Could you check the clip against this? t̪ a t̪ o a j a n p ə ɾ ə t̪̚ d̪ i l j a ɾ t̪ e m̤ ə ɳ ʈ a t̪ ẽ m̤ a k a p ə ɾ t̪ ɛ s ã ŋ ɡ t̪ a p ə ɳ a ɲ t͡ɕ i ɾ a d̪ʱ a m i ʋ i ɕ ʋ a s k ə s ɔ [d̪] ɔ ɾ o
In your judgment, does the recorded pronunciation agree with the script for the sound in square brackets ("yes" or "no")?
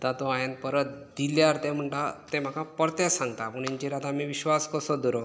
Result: yes